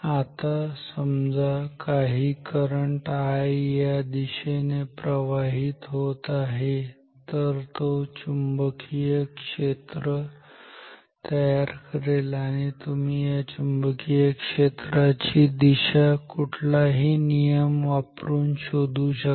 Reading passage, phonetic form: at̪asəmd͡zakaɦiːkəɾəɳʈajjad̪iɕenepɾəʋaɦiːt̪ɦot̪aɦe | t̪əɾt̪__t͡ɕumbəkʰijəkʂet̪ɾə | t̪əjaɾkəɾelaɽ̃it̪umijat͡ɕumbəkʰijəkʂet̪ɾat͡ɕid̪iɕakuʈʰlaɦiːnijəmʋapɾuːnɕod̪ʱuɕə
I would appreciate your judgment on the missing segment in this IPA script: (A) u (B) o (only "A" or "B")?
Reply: B